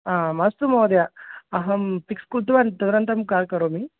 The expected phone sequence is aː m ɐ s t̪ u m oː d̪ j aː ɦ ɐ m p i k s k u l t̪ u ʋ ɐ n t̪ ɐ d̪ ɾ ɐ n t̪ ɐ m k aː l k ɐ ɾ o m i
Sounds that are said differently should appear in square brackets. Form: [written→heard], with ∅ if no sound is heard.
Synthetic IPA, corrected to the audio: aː m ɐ s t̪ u m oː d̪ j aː ɦ ɐ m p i k s k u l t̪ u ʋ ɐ n t̪ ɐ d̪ ɾ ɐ n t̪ ɐ m k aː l k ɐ ɾ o m i